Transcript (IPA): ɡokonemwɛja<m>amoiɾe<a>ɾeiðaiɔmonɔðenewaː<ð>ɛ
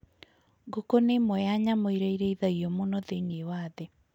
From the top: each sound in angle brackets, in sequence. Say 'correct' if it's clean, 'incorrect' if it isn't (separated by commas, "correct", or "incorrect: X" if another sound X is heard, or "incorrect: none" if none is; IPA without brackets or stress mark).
incorrect: ɲ, incorrect: i, correct